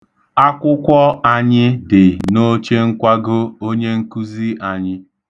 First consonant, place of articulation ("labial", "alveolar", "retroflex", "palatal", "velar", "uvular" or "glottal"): velar